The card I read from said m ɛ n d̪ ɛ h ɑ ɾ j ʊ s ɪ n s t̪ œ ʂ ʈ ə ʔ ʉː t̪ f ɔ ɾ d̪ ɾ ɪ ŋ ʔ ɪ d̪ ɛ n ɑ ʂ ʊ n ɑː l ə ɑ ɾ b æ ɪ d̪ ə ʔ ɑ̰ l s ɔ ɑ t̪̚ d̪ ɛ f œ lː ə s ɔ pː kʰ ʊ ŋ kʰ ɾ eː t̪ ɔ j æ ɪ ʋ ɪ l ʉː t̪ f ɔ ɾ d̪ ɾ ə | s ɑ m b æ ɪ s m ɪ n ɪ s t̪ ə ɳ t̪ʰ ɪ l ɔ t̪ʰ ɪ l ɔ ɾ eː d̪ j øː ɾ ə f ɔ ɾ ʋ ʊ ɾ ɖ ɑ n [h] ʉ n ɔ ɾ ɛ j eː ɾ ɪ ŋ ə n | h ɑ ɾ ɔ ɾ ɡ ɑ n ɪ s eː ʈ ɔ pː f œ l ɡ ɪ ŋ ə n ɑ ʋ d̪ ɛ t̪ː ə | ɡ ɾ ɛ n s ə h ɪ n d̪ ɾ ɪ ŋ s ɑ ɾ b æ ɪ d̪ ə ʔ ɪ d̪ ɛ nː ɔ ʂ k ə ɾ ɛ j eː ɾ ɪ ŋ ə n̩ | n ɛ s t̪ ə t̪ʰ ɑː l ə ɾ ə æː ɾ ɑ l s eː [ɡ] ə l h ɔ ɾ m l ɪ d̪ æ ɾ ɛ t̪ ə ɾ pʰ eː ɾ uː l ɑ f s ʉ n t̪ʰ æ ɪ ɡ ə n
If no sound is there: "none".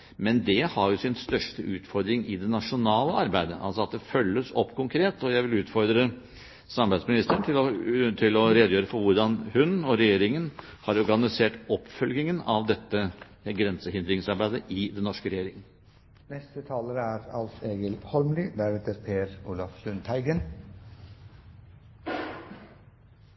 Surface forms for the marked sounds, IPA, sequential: h, ɡ

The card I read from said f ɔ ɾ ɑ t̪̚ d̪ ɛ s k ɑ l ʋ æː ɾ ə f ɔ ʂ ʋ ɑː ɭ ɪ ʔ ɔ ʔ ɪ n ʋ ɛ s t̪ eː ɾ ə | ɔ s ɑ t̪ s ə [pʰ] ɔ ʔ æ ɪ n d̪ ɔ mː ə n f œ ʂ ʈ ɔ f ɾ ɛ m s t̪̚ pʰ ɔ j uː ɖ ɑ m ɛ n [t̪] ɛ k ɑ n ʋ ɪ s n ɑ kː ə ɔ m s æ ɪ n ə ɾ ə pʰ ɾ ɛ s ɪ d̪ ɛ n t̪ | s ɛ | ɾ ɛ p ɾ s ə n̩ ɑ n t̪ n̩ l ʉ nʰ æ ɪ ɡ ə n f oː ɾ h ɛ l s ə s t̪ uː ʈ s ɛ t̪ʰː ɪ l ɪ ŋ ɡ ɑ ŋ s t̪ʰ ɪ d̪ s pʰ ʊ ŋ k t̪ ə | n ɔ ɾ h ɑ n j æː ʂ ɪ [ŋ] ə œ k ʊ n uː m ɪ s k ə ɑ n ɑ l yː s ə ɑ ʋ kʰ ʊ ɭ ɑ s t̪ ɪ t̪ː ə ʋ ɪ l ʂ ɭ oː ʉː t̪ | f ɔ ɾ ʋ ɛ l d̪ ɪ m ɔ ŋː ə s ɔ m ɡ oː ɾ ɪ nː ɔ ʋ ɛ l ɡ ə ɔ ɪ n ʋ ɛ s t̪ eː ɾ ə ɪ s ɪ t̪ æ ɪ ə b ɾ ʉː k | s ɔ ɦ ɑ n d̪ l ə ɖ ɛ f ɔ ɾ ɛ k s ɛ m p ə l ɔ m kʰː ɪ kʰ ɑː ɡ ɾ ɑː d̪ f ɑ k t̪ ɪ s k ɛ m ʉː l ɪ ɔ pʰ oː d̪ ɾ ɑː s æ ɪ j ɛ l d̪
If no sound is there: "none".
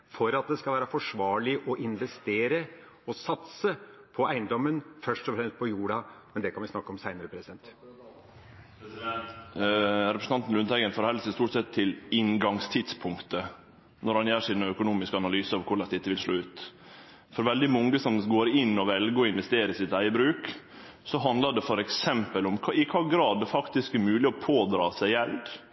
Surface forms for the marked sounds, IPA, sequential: pʰ, d̪, n

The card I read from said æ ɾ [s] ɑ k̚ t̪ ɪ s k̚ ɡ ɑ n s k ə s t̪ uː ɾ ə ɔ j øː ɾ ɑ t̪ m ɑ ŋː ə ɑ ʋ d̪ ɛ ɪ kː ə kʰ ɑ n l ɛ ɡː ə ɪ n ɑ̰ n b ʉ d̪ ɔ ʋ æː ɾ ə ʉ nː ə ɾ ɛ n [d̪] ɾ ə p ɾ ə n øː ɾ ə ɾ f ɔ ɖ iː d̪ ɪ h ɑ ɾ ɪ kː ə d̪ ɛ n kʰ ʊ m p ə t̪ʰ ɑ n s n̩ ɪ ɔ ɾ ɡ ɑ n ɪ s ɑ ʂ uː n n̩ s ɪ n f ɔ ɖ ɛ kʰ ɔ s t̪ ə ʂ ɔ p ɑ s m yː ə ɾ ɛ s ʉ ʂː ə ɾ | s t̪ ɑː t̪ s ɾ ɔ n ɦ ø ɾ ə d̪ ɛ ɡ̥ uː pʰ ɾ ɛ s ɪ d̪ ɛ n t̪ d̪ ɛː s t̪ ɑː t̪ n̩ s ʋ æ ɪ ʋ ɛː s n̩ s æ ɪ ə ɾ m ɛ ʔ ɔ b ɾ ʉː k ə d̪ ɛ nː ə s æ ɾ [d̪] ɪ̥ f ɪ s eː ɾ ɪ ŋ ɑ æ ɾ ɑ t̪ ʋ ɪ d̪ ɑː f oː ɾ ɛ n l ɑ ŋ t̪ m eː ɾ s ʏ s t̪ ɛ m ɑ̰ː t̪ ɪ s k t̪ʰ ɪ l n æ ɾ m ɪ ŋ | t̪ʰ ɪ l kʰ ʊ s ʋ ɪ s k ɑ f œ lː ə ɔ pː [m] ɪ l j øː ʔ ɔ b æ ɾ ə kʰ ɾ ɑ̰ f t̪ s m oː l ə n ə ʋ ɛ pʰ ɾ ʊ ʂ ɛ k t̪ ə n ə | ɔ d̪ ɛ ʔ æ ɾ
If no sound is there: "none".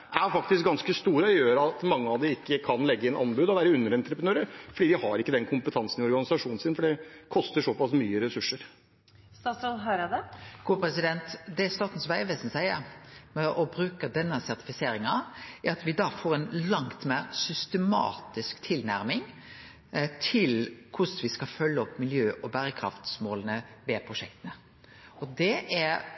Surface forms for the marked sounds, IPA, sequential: f, t̪, t̪, m

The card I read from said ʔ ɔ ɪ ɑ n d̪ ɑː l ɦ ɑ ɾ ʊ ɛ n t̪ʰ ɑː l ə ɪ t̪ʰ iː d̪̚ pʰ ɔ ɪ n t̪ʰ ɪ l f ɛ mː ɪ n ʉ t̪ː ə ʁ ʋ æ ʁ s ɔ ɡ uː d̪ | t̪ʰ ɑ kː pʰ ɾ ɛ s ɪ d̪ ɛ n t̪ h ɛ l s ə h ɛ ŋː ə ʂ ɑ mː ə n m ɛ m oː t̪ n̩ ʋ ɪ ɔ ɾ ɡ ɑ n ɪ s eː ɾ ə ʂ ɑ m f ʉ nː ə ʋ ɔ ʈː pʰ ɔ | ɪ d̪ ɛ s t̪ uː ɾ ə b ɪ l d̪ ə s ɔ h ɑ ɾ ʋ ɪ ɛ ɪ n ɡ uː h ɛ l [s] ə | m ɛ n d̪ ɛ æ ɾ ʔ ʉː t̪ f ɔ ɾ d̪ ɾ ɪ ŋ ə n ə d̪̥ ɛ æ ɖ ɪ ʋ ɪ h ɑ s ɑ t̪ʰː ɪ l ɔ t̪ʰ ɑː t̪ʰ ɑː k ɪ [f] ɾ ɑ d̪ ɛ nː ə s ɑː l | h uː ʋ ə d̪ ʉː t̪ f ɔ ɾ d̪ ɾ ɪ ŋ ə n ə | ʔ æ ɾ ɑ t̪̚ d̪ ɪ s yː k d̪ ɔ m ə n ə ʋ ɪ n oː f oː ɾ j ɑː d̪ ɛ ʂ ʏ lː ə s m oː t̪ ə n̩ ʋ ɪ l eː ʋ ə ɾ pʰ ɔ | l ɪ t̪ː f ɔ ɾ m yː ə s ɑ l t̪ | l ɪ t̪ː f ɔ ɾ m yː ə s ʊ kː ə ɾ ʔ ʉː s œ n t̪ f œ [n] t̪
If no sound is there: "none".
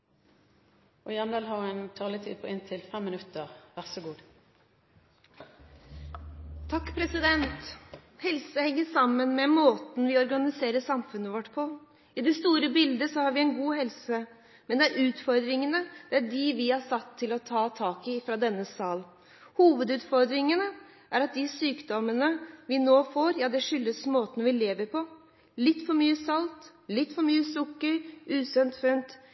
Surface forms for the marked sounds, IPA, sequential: s, f, n

